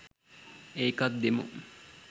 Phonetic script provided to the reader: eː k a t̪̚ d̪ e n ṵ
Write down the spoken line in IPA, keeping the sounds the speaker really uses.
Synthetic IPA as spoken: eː k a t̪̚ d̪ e m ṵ